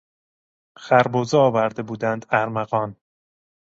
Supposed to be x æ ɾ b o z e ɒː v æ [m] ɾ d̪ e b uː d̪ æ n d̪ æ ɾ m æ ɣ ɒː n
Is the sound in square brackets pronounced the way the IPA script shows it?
no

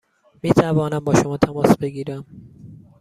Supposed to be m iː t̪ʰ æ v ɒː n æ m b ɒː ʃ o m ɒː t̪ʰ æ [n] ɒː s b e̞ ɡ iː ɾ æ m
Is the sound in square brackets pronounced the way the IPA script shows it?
no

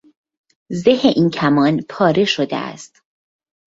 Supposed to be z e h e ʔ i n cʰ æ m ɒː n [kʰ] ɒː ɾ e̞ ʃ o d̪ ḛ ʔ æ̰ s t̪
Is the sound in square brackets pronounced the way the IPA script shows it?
no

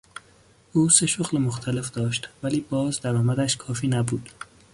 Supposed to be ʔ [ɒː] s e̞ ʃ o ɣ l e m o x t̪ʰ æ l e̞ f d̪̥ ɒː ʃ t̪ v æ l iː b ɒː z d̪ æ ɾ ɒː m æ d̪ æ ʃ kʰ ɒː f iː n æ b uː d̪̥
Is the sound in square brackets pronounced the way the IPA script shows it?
no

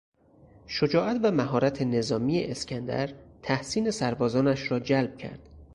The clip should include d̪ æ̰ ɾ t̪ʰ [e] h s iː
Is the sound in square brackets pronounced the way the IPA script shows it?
no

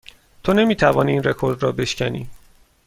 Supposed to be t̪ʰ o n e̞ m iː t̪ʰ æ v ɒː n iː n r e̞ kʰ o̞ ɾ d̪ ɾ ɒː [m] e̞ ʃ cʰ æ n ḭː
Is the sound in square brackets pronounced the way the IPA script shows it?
no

